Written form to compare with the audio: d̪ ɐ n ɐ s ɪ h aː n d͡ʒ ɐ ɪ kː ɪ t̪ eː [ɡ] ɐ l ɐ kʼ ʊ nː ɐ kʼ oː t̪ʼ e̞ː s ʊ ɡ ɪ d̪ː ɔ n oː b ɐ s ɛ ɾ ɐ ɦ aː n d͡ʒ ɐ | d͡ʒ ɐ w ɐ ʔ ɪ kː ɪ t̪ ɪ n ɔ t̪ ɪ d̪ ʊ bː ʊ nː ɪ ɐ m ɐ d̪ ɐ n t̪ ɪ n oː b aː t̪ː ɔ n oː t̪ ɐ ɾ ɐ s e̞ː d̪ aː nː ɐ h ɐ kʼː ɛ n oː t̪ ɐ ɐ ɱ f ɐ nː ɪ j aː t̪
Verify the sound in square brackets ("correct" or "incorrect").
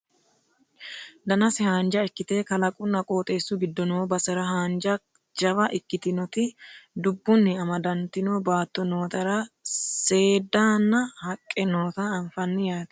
incorrect